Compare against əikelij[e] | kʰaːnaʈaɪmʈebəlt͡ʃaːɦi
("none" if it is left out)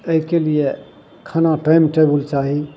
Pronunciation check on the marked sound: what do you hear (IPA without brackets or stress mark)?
e